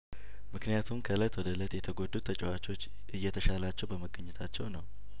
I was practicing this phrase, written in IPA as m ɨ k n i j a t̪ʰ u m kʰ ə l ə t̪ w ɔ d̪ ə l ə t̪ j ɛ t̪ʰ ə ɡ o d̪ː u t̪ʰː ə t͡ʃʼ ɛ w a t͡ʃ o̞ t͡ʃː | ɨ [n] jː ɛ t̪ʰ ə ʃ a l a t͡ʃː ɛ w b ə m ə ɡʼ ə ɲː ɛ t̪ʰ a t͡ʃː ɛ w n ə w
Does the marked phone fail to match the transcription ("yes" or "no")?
yes